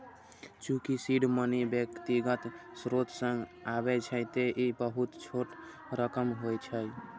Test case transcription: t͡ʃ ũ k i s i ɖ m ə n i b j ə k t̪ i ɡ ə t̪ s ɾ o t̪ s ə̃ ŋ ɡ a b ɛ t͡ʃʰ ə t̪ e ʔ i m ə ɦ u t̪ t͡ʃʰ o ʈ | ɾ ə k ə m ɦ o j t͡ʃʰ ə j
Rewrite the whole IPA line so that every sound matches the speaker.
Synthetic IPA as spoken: t͡ʃ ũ k i s i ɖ m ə n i b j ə k t̪ i ɡ ə t̪ s ɾ o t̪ s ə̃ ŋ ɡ a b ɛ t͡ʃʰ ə t̪ e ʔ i b ə ɦ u t̪ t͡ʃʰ o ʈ | ɾ ə k ə m ɦ o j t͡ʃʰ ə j